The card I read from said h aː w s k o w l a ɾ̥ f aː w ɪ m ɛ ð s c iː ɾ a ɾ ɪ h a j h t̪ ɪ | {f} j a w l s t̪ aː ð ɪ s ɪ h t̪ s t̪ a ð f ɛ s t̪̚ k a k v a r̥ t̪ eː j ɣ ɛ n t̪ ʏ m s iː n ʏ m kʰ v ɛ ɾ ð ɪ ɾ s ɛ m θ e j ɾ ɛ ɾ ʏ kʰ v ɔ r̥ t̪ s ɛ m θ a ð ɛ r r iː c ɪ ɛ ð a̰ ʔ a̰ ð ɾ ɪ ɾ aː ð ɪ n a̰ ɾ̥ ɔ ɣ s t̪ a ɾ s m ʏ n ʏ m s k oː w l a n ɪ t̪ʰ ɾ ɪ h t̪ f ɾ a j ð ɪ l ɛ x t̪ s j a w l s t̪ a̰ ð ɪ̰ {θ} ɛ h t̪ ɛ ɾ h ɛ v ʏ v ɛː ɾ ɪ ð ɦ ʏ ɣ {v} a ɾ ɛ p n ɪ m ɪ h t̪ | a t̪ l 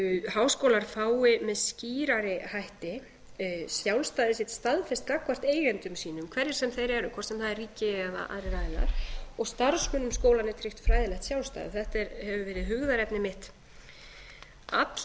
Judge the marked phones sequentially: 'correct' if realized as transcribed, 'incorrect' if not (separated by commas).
incorrect, correct, incorrect